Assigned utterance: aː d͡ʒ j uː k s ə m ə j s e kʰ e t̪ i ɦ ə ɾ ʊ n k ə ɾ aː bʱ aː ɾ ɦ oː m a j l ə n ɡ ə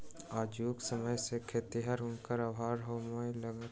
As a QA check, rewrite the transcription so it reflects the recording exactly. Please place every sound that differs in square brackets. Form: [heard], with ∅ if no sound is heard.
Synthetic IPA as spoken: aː d͡ʒ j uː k s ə m ə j s e kʰ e t̪ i ɦ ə ɾ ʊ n k ə ɾ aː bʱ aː ɾ ɦ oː m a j l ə [∅] ɡ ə